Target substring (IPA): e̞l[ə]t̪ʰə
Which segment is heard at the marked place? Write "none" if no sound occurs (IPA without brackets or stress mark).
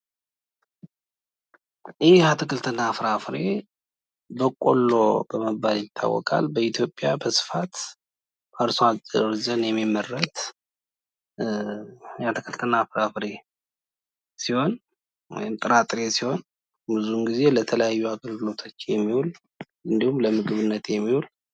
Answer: ə